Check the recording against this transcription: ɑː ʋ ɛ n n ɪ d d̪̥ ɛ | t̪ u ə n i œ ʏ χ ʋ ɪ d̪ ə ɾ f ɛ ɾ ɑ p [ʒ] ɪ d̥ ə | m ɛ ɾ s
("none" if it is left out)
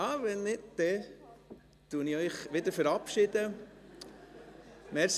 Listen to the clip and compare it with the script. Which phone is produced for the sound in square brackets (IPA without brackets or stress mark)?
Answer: ʃ